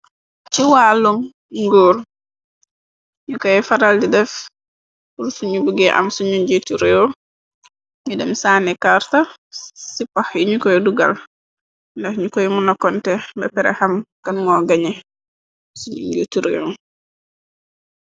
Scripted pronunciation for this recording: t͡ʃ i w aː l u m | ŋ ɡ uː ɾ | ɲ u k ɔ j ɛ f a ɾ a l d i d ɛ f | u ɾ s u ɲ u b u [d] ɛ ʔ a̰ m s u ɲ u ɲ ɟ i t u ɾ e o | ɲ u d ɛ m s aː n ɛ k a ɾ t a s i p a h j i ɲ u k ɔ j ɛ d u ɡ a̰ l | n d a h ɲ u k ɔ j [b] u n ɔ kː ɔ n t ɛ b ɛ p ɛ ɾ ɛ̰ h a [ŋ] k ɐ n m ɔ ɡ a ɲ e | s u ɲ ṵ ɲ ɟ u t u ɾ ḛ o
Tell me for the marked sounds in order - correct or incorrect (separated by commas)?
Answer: incorrect, incorrect, incorrect